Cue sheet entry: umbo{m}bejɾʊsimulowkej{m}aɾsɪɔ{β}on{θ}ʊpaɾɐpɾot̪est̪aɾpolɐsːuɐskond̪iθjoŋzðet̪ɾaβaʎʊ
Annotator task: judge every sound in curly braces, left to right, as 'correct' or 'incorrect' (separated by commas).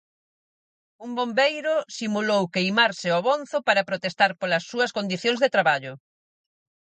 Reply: correct, correct, correct, correct